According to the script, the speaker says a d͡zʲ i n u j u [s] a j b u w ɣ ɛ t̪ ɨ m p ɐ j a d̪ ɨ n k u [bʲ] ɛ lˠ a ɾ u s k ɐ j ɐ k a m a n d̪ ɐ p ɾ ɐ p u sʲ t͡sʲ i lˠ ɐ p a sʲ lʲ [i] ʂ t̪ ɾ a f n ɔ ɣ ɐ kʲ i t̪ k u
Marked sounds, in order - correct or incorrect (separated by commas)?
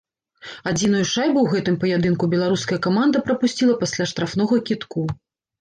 incorrect, correct, incorrect